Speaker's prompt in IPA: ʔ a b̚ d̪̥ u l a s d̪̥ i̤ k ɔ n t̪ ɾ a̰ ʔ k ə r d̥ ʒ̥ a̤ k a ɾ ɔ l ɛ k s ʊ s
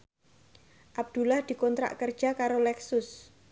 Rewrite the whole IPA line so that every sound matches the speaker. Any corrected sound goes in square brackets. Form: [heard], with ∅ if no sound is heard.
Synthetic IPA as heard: ʔ a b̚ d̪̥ u l a [h] d̪̥ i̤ k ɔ n t̪ ɾ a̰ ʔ k ə r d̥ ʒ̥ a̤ k a ɾ [o] l ɛ k s ʊ s